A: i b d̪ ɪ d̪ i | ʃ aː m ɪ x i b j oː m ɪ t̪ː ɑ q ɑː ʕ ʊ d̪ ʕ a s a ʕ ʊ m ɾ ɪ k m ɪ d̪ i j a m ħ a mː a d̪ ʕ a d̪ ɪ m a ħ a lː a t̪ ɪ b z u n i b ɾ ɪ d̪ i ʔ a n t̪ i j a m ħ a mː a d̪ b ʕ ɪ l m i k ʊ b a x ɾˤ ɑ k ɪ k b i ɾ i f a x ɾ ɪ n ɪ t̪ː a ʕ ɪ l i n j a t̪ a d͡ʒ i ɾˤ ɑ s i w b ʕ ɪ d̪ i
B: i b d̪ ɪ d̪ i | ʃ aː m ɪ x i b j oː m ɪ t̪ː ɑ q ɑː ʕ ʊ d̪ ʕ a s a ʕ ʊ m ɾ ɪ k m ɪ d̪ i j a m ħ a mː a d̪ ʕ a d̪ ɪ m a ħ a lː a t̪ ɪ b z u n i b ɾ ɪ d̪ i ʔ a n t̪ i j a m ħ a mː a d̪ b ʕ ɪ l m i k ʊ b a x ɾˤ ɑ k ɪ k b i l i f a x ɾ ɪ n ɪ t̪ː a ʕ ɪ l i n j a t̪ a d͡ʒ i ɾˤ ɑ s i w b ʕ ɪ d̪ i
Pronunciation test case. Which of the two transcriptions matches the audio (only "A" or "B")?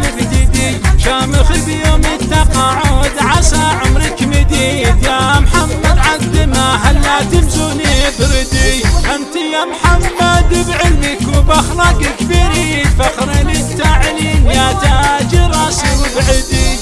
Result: A